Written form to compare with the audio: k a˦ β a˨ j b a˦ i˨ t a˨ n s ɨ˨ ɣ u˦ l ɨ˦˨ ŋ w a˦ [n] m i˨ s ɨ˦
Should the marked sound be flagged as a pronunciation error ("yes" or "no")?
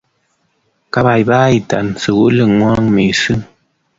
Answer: yes